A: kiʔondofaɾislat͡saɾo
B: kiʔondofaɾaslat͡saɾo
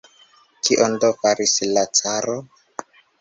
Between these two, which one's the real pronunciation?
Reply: A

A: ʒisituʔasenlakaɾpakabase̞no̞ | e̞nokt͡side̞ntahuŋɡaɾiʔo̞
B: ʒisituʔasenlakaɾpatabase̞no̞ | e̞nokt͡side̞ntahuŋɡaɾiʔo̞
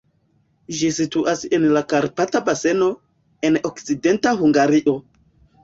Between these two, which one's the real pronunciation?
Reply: B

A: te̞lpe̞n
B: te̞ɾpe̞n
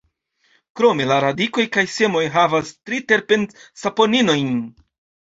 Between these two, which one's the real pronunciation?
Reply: B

